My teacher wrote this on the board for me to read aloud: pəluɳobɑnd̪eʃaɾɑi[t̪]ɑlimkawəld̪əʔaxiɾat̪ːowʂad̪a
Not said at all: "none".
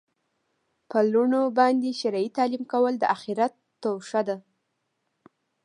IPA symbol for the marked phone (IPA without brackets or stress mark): t̪